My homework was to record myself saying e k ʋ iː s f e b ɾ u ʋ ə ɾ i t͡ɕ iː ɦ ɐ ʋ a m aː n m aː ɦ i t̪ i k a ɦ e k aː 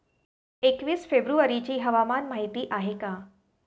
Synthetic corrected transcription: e k ʋ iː s f e b ɾ u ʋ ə ɾ i t͡ɕ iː ɦ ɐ ʋ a m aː n m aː ɦ i t̪ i ʔ a ɦ e k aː